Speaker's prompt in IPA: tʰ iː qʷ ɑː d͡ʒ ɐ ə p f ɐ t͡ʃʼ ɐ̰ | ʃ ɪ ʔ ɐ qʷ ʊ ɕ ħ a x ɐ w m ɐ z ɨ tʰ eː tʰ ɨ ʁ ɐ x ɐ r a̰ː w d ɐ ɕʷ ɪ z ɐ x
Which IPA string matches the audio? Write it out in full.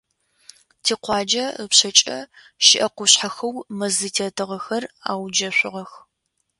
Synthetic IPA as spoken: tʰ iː qʷ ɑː d͡ʒ ɐ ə p ɕ ɐ t͡ʃʼ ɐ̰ | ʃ ɪ ʔ ɐ qʷ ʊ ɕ ħ a x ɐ w m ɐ z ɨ tʰ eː tʰ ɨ ʁ ɐ x ɐ r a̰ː w d͡ʒ ɐ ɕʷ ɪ ʁ ɐ x